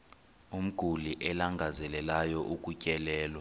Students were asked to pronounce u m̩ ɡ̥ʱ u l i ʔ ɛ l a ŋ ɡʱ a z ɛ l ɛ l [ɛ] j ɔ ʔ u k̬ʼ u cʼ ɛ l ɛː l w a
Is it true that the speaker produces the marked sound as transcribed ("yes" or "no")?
no